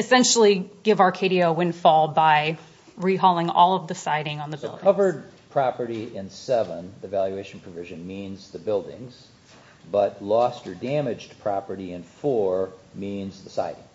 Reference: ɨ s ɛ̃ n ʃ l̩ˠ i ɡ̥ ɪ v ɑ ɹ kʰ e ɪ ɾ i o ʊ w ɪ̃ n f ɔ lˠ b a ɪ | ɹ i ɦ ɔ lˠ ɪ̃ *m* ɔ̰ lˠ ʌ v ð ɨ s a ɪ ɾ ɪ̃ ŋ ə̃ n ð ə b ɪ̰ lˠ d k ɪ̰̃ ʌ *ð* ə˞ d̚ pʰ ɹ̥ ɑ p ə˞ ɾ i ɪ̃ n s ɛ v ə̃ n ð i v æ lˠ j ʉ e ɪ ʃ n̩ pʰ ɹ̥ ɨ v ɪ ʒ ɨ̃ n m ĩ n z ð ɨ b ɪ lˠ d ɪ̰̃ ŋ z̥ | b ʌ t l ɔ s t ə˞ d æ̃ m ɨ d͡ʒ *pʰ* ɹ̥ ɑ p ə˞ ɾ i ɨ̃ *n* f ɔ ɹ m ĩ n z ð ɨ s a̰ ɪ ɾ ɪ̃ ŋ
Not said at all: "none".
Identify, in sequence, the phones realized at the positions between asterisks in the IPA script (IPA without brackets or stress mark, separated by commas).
ŋ, v, pʰ, n